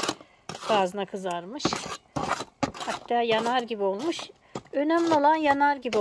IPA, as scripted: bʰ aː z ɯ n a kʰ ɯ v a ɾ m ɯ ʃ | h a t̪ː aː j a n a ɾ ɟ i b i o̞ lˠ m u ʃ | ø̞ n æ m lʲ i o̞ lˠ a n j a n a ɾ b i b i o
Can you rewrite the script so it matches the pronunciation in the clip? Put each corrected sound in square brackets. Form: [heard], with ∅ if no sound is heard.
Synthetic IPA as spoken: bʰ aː z ɯ n a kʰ ɯ [z] a ɾ m ɯ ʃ | h a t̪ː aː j a n a ɾ ɟ i b i o̞ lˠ m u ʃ | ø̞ n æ m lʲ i o̞ lˠ a n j a n a ɾ [ɟ] i b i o